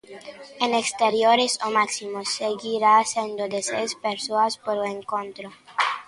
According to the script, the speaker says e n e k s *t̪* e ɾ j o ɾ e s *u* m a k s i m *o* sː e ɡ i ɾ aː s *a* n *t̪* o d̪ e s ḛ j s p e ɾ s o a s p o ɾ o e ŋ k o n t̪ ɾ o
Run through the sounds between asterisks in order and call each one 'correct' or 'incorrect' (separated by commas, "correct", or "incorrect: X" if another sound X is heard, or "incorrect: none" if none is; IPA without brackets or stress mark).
correct, incorrect: o, correct, incorrect: e, incorrect: d̪